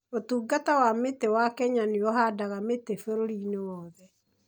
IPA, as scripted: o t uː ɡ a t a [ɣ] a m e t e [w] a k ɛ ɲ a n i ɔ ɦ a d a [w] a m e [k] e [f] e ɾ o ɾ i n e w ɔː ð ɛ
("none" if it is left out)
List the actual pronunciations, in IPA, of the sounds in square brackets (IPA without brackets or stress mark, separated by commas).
w, w, ɣ, t, f